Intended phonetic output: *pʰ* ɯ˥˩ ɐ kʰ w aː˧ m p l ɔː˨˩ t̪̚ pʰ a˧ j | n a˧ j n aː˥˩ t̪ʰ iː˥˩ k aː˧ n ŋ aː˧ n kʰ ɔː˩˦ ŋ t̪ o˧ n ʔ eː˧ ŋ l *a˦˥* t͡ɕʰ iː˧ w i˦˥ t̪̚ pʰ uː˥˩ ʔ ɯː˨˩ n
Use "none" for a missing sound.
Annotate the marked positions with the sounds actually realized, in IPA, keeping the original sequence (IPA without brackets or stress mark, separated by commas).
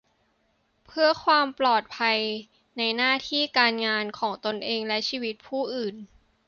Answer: pʰ, ɛ˦˥